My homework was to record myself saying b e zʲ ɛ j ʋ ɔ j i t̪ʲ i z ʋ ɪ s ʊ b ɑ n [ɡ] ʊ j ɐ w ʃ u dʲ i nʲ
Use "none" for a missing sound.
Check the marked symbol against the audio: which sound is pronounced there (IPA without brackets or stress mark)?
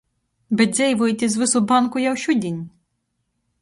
k